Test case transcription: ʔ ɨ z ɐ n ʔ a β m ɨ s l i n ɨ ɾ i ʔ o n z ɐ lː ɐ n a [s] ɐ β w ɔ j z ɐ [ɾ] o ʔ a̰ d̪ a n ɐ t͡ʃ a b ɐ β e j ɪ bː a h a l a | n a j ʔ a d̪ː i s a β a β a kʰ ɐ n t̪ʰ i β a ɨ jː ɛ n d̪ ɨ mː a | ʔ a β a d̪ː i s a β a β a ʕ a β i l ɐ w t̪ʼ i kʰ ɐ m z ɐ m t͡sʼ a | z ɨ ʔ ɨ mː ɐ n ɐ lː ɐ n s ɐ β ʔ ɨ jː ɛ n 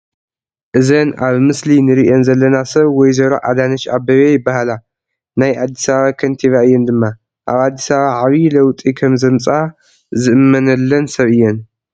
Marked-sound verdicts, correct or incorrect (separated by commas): correct, correct